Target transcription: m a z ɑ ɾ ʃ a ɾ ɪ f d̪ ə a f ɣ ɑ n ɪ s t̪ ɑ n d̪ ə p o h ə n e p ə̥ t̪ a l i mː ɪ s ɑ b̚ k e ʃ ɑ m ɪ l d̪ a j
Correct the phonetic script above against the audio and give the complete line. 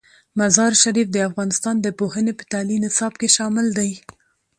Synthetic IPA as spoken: m a z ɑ ɾ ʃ a ɾ i f d̪ ə a f ɣ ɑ n ɪ s t̪ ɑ n d̪ ə p o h ə n e p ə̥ t̪ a l i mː ɪ s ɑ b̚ k e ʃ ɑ m ɪ l d̪ a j